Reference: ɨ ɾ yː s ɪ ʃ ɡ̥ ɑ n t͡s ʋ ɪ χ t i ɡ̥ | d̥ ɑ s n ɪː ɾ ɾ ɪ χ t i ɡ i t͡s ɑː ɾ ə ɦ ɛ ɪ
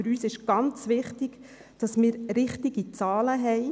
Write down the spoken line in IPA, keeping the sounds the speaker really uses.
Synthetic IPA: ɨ ɾ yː s ɪ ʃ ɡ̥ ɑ n t͡s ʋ ɪ χ t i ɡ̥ | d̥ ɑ s m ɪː ɾ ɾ ɪ χ t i ɡ i t͡s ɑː l ə ɦ ɛ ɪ